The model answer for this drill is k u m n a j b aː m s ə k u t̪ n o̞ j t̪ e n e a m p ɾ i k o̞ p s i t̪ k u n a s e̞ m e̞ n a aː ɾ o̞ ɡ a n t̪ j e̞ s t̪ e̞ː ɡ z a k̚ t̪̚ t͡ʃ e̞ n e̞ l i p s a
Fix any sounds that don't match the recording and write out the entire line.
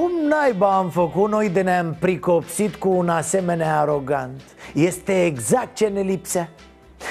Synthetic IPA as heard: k u m n a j b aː m f ə k u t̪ n o̞ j d̪ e n e a m p ɾ i k o̞ p s i t̪ k uː n a s e̞ m e̞ n e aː ɾ o̞ ɡ a n t̪ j e̞ s t̪ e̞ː ɡ z a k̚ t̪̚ t͡ʃ e̞ n e̞ l i p s a